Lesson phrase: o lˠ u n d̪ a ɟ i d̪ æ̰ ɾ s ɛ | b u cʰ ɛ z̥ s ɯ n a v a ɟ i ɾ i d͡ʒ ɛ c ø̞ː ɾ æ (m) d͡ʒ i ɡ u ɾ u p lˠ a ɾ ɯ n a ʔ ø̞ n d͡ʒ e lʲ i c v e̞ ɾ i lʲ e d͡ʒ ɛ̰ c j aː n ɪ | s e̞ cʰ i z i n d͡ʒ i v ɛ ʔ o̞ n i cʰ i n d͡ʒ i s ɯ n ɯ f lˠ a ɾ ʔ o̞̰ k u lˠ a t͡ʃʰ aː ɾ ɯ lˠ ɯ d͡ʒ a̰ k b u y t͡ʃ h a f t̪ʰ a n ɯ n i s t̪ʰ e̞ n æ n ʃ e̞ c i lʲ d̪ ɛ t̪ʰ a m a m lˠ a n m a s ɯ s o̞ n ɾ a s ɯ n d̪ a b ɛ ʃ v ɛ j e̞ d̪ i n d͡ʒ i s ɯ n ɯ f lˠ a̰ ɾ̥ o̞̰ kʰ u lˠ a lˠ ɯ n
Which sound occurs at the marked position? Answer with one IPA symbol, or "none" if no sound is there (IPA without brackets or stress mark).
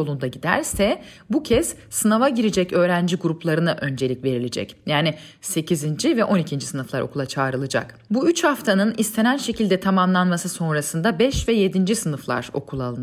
n